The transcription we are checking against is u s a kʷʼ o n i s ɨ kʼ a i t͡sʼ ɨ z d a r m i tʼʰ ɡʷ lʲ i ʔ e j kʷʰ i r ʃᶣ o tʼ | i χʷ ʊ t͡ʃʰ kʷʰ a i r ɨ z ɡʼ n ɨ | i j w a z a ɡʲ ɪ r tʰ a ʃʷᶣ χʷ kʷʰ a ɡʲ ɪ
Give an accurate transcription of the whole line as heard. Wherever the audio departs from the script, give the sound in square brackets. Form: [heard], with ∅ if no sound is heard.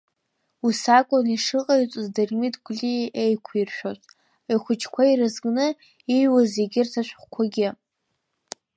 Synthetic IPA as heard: u s a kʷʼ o n i [ʂ] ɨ [qʼ] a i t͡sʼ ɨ z d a r m i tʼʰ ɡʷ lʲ i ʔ e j kʷʰ i r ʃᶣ o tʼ | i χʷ ʊ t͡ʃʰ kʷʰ a i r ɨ z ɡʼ n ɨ | i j w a z [e] ɡʲ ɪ r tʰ a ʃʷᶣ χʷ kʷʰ a ɡʲ ɪ

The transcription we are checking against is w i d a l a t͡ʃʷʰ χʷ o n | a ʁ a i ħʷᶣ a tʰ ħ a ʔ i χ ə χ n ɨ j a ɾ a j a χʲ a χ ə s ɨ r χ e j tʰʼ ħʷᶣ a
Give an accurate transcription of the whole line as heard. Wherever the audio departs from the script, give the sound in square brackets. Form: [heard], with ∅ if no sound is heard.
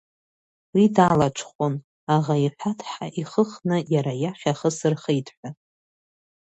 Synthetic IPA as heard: w i d a l a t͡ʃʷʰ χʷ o n | a ʁ a i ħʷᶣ a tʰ ħ a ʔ i χ ə χ n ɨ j a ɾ a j a χʲ a χ ə s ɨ r χ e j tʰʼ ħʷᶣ a

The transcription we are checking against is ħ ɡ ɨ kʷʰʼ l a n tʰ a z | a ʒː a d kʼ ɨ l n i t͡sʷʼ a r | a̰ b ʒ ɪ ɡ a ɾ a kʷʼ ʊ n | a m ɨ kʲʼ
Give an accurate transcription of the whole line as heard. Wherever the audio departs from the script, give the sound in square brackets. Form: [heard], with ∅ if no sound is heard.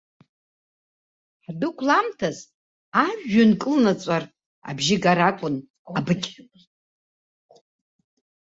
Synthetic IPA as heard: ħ [d] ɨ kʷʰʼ l a [m] tʰ a z | a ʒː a [n] kʼ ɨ l n [a] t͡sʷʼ a r | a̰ b ʒ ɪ ɡ a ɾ a kʷʼ ʊ n | a [b] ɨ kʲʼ

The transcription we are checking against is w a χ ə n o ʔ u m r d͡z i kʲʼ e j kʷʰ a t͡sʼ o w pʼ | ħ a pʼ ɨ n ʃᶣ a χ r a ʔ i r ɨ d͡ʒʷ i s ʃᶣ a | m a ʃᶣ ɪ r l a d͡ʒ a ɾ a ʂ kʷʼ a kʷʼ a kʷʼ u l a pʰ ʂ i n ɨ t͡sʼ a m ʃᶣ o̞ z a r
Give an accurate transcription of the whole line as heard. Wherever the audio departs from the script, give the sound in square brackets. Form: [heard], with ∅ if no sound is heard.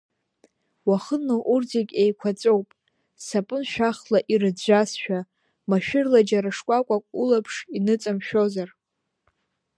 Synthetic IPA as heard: w a χ ə n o ʔ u [∅] r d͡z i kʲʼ e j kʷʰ a t͡sʼ o w pʼ | [s] a pʼ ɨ n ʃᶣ a χ [l] a ʔ i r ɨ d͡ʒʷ [a] s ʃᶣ a | m a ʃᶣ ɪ r l a d͡ʒ a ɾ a ʂ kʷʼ a kʷʼ a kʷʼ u l a pʰ ʂ i n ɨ t͡sʼ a m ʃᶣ o̞ z a r

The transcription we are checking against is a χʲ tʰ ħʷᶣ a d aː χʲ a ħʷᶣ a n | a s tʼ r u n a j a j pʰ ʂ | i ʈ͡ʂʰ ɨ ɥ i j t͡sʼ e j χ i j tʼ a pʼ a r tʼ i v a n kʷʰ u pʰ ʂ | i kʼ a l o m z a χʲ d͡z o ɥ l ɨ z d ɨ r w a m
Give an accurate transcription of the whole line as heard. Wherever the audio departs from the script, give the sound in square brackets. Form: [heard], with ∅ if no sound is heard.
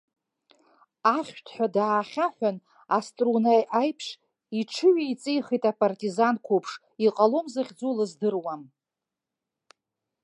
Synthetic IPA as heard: a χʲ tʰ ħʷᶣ a d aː χʲ a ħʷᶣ a n | a s tʼ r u n a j a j pʰ ʂ | i ʈ͡ʂʰ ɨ ɥ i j t͡sʼ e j χ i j tʼ a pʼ a r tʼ i [z] a n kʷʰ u pʰ ʂ | i [qʼ] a l o m z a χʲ d͡z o [∅] l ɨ z d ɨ r w a m

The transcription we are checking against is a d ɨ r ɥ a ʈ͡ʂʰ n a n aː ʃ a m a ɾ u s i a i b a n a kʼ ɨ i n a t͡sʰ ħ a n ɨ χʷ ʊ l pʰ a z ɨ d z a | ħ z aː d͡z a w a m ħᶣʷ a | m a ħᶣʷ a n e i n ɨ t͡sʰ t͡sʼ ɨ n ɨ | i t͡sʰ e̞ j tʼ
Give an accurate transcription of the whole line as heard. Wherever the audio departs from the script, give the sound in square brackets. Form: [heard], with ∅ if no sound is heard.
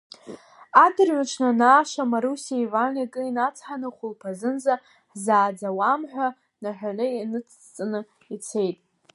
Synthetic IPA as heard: a d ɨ r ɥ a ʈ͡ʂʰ n a n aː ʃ a m a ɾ u s i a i [v] a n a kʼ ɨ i n a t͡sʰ ħ a n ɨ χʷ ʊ l pʰ a z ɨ [n] z a | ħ z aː d͡z a w a m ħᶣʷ a | [n] a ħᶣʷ a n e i n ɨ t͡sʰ t͡sʼ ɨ n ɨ | i t͡sʰ e̞ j tʼ

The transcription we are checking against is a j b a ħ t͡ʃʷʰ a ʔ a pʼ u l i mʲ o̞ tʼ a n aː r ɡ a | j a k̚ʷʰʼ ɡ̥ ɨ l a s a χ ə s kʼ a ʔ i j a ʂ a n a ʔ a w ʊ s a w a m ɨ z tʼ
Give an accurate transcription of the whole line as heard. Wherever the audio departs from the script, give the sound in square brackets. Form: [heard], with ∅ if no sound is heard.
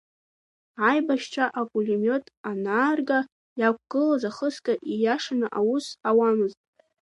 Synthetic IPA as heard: a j b a [ʃ] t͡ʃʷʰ a ʔ a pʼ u l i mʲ o̞ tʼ a n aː r ɡ a | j a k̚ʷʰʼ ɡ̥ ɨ l a [z] a χ ə s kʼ a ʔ i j a ʂ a n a ʔ a w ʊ s a w a m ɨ z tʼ

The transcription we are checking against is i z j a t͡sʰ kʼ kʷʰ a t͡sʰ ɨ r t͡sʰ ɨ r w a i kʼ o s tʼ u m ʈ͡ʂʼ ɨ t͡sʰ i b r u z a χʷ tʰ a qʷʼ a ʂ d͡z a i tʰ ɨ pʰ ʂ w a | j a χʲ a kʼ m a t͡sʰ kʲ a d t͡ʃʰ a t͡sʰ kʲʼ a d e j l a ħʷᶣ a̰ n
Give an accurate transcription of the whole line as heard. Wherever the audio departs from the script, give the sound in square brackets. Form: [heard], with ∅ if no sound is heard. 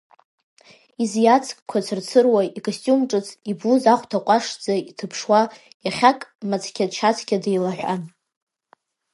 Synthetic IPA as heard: i z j a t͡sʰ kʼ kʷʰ a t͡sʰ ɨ r t͡sʰ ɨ r w a i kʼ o s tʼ u m ʈ͡ʂʼ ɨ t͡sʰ i b [l] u z a χʷ tʰ a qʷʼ a ʂ d͡z a i tʰ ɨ pʰ ʂ w a | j a χʲ a kʼ m a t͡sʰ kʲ a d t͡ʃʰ a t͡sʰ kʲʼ a d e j l a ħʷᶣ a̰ n

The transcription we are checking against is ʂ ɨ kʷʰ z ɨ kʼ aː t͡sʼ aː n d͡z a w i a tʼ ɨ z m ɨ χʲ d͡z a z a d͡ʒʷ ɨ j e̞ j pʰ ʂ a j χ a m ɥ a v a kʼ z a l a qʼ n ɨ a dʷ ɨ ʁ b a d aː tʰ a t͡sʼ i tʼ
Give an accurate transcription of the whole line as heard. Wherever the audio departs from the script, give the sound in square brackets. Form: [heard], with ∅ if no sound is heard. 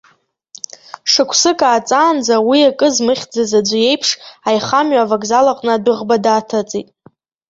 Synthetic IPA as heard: ʂ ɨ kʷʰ [s] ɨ kʼ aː t͡sʼ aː n d͡z a w i a [kʼ] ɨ z m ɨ χʲ d͡z a z a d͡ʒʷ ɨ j e̞ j pʰ ʂ a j χ a m ɥ a v a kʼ z a l a qʼ n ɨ a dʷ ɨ ʁ b a d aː tʰ a t͡sʼ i tʼ

